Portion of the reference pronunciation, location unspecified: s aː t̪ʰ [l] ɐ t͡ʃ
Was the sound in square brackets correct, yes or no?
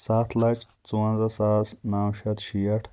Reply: yes